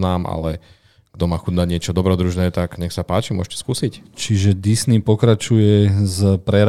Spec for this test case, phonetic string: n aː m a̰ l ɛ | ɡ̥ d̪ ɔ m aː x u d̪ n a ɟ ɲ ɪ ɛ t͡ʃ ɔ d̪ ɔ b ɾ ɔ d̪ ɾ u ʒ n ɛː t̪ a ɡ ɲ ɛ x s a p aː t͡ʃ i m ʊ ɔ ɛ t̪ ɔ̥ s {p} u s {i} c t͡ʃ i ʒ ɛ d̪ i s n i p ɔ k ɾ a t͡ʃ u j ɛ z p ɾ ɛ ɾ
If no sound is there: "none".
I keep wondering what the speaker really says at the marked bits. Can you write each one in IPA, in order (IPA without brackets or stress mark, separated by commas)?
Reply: k, i